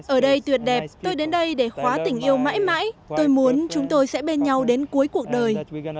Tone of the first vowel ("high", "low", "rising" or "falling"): falling